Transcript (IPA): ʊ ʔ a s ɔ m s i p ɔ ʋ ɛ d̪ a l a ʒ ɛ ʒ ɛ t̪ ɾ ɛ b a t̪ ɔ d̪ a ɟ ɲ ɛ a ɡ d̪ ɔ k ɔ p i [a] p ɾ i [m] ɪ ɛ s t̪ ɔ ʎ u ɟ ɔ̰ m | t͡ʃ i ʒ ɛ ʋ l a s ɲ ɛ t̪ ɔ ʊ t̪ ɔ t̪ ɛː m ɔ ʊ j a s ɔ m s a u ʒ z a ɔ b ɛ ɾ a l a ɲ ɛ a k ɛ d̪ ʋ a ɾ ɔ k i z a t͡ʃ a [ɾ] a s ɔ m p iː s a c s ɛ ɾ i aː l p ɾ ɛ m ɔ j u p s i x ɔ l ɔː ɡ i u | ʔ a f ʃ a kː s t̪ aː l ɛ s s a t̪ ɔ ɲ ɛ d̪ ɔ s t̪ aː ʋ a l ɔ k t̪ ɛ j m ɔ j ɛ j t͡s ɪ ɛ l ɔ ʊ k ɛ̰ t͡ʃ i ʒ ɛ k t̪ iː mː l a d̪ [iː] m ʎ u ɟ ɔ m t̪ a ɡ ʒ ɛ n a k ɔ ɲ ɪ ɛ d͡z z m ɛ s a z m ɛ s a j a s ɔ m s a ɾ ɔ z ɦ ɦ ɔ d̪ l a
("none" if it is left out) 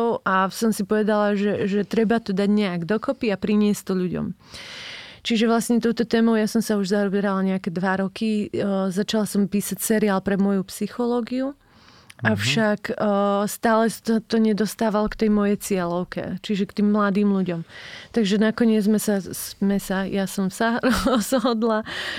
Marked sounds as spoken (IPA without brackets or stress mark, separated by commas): a, ɲ, l, iː